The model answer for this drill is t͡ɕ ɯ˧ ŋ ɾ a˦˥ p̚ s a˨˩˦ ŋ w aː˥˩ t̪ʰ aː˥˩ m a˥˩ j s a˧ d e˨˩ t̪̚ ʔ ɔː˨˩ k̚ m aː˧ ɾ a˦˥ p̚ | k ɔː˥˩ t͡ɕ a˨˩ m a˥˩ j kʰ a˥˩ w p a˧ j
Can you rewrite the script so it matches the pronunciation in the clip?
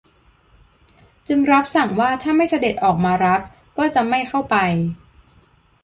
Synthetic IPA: t͡ɕ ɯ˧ ŋ ɾ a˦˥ p̚ s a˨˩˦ ŋ w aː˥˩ t̪ʰ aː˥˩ m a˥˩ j s a˧ d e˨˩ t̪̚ ʔ ɔː˨˩ k̚ m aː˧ ɾ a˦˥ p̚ | k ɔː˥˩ t͡ɕ a˨˩ m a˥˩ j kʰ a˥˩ w p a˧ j